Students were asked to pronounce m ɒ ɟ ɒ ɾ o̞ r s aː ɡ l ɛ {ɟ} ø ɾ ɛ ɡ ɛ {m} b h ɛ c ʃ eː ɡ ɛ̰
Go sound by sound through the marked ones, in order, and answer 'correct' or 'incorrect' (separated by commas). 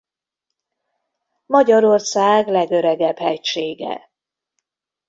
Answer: incorrect, incorrect